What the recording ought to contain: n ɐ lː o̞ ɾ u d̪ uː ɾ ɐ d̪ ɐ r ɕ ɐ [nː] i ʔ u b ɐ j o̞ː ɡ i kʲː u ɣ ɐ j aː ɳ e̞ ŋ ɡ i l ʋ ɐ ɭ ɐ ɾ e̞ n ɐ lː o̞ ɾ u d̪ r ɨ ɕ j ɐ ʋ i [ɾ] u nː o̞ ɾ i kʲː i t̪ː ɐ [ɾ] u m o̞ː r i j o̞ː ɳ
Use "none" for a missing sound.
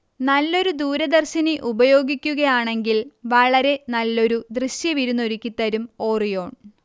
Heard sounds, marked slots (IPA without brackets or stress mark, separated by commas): n, ɾ, ɾ